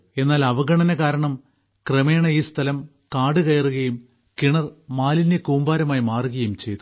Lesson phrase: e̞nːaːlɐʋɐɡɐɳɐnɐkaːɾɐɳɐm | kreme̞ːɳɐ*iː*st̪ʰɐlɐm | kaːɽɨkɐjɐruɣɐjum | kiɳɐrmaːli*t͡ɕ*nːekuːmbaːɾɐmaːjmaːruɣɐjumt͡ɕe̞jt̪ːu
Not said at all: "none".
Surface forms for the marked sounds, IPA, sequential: iː, none

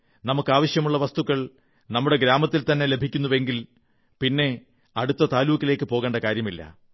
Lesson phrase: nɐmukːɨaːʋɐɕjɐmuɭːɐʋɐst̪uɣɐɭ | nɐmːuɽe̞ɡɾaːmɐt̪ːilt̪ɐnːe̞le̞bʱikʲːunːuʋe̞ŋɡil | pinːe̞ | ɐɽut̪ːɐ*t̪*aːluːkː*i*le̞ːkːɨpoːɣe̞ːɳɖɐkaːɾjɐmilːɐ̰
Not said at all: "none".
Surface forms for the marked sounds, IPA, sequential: t̪, i

